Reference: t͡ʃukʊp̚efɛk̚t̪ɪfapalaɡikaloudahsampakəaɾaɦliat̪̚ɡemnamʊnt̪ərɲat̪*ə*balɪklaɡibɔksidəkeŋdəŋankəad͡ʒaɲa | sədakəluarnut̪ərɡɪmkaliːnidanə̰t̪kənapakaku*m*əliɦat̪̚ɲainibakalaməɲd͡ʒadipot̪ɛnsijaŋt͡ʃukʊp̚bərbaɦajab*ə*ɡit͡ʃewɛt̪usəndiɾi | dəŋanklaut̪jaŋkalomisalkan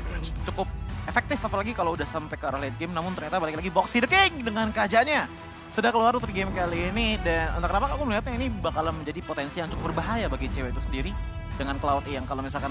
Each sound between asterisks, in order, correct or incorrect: incorrect: a, correct, incorrect: a

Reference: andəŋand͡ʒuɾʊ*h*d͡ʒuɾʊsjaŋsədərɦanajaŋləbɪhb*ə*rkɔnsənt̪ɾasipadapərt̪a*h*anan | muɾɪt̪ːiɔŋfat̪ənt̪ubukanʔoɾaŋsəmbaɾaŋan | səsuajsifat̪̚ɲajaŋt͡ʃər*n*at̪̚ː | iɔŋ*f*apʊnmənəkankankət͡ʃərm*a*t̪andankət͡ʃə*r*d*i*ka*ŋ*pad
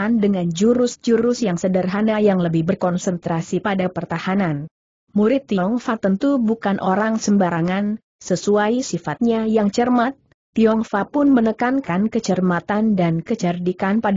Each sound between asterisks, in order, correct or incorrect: incorrect: s, correct, correct, incorrect: m, correct, correct, correct, correct, incorrect: n

